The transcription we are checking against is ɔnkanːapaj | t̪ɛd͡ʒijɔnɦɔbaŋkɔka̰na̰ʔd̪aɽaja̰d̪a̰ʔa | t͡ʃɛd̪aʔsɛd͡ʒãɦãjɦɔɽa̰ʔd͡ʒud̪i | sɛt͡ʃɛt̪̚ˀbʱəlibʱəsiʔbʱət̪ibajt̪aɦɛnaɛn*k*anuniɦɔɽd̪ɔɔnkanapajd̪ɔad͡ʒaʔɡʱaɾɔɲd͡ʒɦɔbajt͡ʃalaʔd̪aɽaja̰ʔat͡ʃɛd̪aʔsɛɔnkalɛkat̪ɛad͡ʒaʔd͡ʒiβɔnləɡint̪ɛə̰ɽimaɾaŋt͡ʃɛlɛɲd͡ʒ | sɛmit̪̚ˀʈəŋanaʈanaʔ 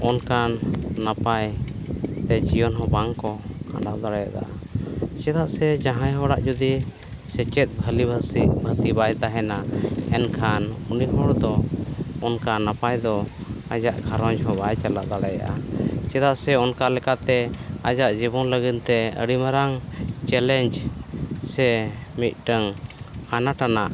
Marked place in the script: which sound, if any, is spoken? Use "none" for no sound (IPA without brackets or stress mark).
kʰ